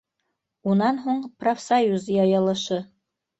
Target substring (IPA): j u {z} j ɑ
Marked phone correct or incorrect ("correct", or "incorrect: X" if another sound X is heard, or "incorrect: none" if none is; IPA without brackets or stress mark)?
correct